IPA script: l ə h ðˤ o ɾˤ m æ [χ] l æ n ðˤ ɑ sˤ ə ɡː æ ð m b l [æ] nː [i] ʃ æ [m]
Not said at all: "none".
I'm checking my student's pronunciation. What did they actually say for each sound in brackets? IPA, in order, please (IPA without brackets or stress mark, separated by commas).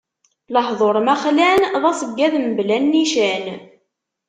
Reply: χ, æ, i, n